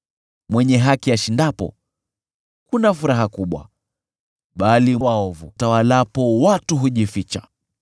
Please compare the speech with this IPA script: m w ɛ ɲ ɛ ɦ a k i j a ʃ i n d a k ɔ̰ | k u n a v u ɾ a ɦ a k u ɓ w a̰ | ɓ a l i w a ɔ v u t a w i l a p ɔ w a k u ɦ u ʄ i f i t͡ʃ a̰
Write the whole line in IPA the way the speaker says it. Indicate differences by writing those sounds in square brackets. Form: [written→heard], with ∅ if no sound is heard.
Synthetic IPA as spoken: m w ɛ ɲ ɛ ɦ a k i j a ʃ i n d a [k→p] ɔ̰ | k u n a [v→f] u ɾ a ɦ a k u ɓ w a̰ | ɓ a l i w a ɔ v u t a w [i→a] l a p ɔ w a [k→t] u ɦ u ʄ i f i t͡ʃ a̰